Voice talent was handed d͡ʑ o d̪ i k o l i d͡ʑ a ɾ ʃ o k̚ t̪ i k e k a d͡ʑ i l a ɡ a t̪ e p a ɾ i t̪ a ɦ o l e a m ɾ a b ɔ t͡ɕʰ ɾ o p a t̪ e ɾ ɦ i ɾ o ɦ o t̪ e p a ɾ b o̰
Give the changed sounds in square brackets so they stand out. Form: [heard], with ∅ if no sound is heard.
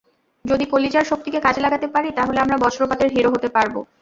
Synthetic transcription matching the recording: d͡ʑ o d̪ i k o l i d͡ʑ a ɾ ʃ o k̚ t̪ i k e k a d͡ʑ [e] l a ɡ a t̪ e p a ɾ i t̪ a ɦ o l e a m ɾ a b ɔ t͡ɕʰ ɾ o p a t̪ e ɾ ɦ i ɾ o ɦ o t̪ e p a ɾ b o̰